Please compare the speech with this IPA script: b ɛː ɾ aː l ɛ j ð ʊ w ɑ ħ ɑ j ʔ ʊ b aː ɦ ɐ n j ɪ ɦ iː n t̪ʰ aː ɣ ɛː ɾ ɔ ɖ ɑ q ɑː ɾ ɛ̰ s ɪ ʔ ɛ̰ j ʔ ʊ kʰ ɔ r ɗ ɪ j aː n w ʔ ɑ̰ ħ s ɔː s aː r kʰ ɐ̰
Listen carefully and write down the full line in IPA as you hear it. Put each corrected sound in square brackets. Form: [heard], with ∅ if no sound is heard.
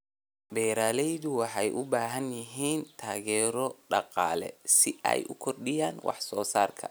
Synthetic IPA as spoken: b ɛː ɾ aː l ɛ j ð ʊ w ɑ ħ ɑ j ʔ ʊ b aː ɦ ɐ n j ɪ ɦ iː n t̪ʰ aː ɣ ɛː ɾ ɔ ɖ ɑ q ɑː [l] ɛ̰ s ɪ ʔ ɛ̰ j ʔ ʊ kʰ ɔ r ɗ ɪ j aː n w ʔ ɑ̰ ħ s ɔː s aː r kʰ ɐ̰